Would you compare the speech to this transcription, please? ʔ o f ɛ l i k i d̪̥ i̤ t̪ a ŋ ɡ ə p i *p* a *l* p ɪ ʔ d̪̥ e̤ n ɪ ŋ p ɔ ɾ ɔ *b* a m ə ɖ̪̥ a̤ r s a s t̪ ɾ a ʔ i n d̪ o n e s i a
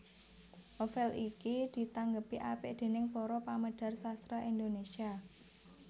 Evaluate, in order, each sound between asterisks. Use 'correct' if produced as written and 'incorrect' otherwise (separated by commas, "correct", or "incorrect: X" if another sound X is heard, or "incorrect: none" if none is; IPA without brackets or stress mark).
incorrect: ʔ, incorrect: none, incorrect: p